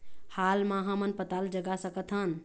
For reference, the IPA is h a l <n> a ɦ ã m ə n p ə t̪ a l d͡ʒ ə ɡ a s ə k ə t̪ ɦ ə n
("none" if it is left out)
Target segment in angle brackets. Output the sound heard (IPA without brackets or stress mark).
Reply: m